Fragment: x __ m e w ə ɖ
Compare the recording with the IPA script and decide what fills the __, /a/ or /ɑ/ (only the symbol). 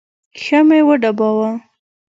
a